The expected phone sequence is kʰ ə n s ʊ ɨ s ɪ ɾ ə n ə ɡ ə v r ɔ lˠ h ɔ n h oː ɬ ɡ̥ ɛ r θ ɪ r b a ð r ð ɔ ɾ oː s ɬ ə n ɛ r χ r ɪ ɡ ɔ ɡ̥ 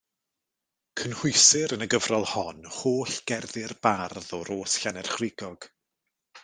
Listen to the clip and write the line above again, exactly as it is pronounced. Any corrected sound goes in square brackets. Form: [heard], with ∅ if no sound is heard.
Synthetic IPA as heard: kʰ ə n [h] ʊ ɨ s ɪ ɾ ə n ə ɡ ə v r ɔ lˠ h ɔ n h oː ɬ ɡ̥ ɛ r [ð] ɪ r b a [∅] r ð ɔ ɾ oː s ɬ [a] n ɛ r χ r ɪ ɡ ɔ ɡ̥

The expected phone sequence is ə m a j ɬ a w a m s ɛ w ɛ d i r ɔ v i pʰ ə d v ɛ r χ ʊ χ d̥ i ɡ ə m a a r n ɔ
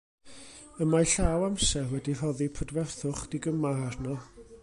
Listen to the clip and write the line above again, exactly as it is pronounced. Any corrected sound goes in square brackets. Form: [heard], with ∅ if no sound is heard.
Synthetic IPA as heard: ə m a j ɬ a w a m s ɛ w ɛ d i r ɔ [ð] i pʰ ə d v ɛ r [θ] ʊ χ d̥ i ɡ ə m a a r n ɔ

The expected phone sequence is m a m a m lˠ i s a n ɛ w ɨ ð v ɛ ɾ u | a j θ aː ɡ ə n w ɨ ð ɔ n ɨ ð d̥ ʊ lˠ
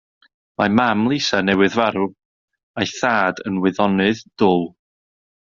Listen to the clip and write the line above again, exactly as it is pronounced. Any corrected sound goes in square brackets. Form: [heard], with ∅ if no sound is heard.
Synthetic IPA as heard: m a m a m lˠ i s a n ɛ w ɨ ð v [a] ɾ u | a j θ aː [d] ə n w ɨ ð ɔ n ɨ ð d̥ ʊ lˠ

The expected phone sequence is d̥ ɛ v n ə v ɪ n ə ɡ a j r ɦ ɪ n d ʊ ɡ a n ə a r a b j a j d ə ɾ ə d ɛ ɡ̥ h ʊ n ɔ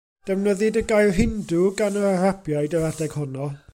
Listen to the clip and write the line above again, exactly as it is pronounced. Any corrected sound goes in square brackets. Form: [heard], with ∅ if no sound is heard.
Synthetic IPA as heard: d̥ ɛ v n ə [ð] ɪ [d] ə ɡ a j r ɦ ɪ n d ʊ ɡ a n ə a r a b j a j d ə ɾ [a] d ɛ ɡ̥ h ʊ n ɔ

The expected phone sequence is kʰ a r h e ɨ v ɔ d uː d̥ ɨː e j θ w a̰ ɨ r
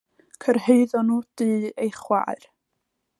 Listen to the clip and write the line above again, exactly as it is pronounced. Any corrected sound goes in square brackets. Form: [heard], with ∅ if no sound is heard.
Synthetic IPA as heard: kʰ [ə] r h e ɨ [ð] ɔ [n] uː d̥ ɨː e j [χ] w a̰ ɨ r

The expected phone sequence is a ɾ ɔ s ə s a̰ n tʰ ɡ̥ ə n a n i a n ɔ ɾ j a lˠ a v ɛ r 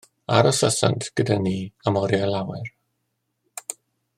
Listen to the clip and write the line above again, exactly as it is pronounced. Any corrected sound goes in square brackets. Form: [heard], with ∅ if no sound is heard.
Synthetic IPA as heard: a ɾ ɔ s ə s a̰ n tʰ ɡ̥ ə [d] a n i a [m] ɔ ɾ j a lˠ a [w] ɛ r

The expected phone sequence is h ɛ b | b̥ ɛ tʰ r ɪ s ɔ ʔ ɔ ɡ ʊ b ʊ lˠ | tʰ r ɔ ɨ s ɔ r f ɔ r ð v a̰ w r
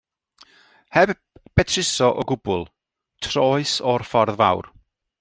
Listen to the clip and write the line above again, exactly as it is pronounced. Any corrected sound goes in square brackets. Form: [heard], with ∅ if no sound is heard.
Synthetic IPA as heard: h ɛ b | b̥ ɛ tʰ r ɪ s ɔ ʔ ɔ ɡ ʊ b ʊ lˠ | tʰ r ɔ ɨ s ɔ r f ɔ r ð v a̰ w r

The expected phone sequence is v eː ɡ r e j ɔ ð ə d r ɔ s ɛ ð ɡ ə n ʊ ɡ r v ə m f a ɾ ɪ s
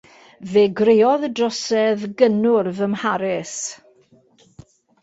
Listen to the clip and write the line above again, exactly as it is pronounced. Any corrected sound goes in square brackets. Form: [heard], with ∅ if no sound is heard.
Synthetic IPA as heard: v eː ɡ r e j ɔ ð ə d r ɔ s ɛ ð ɡ ə n ʊ [∅] r v ə m [h] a ɾ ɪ s

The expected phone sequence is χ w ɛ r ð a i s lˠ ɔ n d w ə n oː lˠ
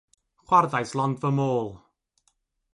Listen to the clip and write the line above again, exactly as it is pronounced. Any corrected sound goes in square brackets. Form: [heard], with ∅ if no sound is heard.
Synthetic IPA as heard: χ w [a] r ð a [j] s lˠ ɔ n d [v] ə [m] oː lˠ

